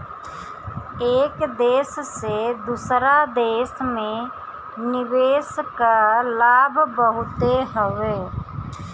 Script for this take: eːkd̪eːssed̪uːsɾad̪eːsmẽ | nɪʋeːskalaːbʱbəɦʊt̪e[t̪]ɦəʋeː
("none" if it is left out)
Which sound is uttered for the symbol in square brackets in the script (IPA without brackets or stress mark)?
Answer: none